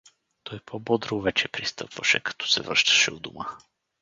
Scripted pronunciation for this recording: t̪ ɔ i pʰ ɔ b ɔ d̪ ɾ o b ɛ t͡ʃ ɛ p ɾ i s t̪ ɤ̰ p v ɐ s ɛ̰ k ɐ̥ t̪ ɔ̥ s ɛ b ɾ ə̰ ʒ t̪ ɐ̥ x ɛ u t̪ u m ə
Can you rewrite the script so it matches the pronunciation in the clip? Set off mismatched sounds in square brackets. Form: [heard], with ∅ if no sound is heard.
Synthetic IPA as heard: t̪ ɔ [j] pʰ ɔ b ɔ d̪ ɾ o [v] ɛ t͡ʃ ɛ p ɾ i s t̪ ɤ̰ p v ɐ [ʃ] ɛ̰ k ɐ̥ t̪ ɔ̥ s ɛ [v] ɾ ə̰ [ʃ] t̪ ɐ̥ [ʃ] ɛ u [d̪] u m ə